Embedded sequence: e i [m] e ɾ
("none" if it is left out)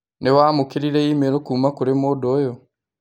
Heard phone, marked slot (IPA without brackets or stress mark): m